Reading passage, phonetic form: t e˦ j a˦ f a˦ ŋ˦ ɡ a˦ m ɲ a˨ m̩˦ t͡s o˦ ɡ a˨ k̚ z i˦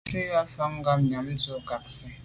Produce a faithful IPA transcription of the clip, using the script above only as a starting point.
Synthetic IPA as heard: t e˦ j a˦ f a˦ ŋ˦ ɡ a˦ m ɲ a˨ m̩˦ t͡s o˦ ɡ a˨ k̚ s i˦